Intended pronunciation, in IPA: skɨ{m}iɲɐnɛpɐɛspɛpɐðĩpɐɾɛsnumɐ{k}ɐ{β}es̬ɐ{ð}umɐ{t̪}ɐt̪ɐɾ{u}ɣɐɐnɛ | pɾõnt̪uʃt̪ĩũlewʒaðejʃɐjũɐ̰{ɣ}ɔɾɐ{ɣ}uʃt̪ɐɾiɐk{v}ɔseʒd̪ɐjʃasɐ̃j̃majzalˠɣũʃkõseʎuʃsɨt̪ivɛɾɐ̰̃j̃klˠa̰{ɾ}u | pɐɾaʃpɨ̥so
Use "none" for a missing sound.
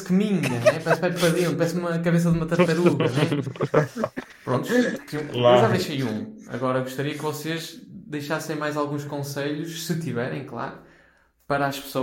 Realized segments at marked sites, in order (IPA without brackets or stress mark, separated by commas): m, k, β, ð, t̪, u, ɣ, ɣ, v, ɾ